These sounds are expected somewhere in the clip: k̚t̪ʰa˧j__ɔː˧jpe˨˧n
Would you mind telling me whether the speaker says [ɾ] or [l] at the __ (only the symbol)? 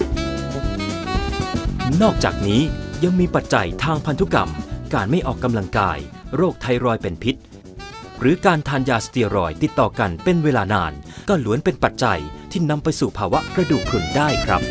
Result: ɾ